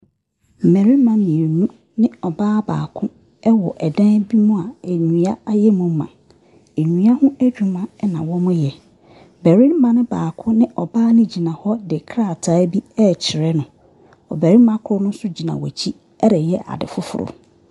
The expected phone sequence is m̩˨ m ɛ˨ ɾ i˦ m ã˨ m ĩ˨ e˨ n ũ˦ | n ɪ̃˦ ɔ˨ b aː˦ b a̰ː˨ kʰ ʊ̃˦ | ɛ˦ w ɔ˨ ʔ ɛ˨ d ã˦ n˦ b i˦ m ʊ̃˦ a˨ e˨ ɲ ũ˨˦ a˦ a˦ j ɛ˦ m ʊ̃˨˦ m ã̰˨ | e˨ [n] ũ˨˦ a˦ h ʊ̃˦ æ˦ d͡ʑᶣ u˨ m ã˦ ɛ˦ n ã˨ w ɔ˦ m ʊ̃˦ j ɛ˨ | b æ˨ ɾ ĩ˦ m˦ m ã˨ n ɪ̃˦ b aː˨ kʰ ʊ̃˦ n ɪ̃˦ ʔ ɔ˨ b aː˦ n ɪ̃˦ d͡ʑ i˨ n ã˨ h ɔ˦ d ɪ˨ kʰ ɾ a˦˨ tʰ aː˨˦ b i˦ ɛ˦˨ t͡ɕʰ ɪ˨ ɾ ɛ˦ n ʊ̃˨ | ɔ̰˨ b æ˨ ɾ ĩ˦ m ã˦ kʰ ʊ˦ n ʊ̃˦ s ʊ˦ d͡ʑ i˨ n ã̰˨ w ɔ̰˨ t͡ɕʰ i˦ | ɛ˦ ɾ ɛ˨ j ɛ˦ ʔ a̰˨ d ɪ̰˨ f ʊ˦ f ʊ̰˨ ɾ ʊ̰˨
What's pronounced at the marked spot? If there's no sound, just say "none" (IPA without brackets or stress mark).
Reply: ɲ